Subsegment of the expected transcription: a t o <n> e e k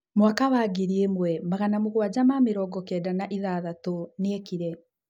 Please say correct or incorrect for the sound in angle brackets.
correct